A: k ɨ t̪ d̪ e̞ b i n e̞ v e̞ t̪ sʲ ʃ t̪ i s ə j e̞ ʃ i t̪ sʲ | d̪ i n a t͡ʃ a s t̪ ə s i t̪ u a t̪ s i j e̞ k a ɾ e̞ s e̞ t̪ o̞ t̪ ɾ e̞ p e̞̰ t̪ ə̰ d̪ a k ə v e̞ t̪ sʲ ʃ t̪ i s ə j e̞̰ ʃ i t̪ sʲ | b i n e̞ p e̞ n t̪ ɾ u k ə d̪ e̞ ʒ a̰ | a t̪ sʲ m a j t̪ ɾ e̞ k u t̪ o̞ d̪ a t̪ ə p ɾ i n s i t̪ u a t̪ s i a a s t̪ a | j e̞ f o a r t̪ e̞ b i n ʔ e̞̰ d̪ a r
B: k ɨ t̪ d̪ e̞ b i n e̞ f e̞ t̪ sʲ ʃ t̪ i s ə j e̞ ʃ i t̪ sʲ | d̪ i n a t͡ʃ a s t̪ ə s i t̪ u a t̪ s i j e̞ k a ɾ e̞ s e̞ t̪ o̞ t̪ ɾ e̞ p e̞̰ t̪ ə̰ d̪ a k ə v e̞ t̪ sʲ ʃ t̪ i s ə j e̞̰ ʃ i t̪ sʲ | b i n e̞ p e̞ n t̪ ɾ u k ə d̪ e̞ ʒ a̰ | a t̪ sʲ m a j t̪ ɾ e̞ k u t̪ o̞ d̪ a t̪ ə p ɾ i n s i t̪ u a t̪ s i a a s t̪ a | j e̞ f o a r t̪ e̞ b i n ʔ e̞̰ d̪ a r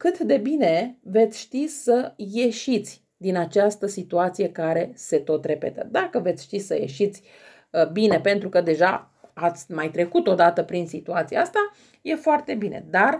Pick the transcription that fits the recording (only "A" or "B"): A